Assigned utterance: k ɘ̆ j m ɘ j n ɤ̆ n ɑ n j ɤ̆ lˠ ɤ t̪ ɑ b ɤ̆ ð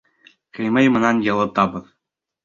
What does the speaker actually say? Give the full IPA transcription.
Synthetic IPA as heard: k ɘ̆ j m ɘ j m ɤ̆ n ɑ n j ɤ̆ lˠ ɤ t̪ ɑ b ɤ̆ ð